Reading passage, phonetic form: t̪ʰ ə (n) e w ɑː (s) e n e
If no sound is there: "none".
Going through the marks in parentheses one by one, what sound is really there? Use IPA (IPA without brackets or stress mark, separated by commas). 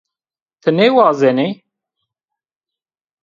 n, z